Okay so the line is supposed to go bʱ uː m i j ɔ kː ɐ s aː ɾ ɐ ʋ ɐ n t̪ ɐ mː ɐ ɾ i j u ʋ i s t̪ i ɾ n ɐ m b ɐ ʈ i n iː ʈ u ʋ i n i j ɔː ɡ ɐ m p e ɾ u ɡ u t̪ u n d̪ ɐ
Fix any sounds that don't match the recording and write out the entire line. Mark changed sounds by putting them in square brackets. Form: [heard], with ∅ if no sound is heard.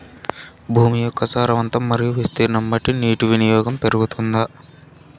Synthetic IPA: bʱ uː m i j ɔ kː ɐ s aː ɾ ɐ ʋ ɐ n t̪ ɐ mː ɐ ɾ i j u ʋ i s t̪ i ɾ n ɐ m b ɐ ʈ i n iː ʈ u ʋ i n i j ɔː ɡ ɐ m p e ɾ u ɡ u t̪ u n d̪ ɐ